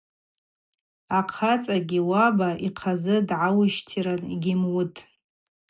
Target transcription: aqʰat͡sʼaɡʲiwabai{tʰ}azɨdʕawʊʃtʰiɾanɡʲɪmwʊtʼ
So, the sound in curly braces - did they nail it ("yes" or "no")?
no